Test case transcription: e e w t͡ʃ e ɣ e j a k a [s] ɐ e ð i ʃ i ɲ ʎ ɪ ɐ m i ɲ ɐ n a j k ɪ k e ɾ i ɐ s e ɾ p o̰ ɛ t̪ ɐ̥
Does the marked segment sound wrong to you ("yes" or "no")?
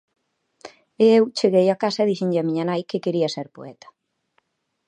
no